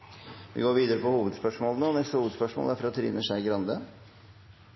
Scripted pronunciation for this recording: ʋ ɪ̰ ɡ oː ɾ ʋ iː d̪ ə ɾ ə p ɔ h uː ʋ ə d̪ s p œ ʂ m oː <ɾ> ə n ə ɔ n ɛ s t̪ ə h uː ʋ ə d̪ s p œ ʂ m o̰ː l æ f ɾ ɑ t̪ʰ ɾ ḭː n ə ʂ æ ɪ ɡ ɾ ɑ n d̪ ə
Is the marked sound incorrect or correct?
incorrect